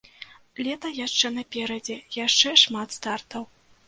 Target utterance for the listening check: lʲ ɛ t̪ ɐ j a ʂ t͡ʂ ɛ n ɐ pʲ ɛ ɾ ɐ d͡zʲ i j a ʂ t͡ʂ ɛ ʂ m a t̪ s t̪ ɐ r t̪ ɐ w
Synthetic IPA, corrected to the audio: lʲ ɛ t̪ ɐ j a ʂ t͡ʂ ɛ n ɐ pʲ ɛ ɾ ɐ d͡zʲ ɛ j a ʂ t͡ʂ ɛ ʂ m a t̪ s t̪ a r t̪ ɐ w